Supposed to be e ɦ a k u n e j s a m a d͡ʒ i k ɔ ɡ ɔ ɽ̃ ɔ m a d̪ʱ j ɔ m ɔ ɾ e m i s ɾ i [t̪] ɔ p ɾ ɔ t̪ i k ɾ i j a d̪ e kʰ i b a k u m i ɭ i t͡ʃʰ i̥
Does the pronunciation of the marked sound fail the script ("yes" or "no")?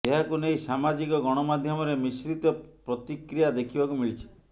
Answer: no